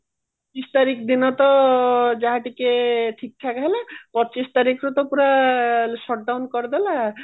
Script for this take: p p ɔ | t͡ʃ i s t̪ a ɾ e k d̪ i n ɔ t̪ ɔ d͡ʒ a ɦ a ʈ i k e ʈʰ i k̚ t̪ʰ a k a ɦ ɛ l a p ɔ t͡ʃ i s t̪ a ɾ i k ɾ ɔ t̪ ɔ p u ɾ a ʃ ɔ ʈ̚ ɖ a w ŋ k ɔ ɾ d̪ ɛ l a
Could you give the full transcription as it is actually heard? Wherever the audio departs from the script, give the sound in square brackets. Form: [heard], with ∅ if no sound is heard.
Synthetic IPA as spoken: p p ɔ | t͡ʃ i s t̪ a ɾ [i] k d̪ i n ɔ t̪ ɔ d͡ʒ a ɦ a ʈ i k e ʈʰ i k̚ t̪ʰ a k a ɦ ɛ l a p ɔ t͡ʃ i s t̪ a ɾ i k ɾ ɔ t̪ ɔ p u ɾ a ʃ ɔ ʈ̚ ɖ a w [n] k ɔ ɾ d̪ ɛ l a